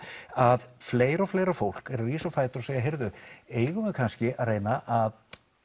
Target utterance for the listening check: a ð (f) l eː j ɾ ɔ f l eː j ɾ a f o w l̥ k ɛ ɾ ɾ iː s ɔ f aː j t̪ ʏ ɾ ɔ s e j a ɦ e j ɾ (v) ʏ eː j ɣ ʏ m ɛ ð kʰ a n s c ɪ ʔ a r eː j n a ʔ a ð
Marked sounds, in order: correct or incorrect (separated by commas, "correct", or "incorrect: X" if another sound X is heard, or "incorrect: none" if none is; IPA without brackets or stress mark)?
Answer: correct, incorrect: ð